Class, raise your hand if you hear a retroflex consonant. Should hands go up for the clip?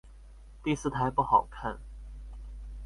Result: no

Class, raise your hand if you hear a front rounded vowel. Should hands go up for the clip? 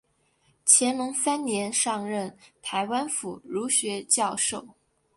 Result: no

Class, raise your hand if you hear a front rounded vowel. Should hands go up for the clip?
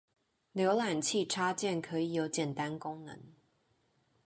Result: no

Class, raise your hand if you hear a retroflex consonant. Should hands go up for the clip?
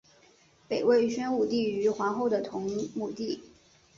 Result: no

